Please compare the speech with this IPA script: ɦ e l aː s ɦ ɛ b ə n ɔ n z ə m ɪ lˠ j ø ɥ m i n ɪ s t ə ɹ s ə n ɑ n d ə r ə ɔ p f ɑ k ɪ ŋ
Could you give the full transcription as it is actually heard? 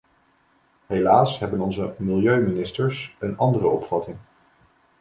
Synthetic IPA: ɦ e l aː s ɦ ɛ b ə n ɔ n z ə m ɪ lˠ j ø ɥ m i n ɪ s t ə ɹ s ə n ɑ n d ə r ə ɔ p f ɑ t ɪ ŋ